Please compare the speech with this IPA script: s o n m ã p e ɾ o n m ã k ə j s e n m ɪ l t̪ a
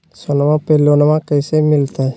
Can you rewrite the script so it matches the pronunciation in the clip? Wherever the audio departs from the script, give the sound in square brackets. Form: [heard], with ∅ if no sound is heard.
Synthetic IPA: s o n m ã p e [l] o n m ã k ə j s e [∅] m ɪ l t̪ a